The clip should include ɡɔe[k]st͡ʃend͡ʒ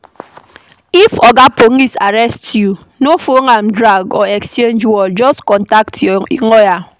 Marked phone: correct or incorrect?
correct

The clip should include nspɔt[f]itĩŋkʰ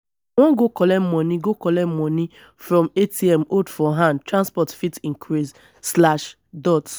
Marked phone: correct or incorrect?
correct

